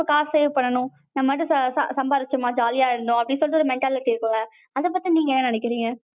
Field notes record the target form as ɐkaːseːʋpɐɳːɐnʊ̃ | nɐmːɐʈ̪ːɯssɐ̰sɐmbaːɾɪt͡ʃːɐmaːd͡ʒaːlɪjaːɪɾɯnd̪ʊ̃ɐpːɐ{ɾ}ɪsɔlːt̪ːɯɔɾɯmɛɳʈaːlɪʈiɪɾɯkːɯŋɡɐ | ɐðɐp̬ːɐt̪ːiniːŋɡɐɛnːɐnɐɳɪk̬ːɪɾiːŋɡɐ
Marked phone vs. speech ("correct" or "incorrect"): incorrect